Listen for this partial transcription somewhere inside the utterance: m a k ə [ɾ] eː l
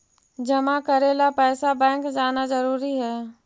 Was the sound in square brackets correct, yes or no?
yes